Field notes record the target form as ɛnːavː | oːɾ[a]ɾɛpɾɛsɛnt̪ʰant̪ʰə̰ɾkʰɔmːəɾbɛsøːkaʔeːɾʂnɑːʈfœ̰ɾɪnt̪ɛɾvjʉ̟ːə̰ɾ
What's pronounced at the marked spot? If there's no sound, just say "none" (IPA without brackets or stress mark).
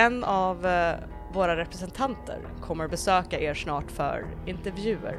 a